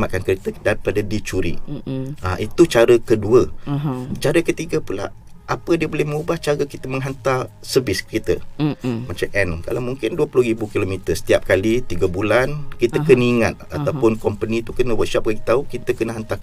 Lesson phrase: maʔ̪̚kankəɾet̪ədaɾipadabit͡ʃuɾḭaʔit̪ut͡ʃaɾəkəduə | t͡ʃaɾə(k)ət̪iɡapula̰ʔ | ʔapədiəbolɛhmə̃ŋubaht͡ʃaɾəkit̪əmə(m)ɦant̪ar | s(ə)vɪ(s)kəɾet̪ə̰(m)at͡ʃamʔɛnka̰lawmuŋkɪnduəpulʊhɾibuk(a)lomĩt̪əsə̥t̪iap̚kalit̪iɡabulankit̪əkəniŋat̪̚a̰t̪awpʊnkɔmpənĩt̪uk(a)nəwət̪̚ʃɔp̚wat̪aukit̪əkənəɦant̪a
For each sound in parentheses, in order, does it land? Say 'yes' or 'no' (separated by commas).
yes, no, yes, yes, yes, no, no